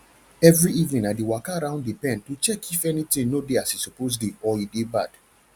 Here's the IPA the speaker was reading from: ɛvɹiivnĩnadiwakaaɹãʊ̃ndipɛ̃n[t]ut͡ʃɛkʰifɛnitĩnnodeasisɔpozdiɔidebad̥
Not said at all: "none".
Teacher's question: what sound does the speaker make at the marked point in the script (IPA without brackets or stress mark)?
t